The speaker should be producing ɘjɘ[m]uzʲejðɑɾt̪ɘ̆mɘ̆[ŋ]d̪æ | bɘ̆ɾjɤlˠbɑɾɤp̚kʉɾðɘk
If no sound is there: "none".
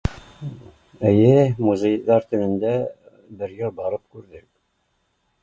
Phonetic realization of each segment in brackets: m, n

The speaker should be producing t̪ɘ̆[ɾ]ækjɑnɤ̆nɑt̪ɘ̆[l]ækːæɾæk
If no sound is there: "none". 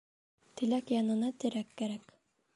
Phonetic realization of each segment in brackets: l, ɾ

